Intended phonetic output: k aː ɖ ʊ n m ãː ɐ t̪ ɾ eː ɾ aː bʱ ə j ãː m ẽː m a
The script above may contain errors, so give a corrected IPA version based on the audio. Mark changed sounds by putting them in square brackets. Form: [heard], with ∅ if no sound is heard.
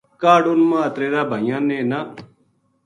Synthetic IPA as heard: k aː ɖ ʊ n m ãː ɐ t̪ ɾ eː ɾ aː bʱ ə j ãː [n] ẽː [n] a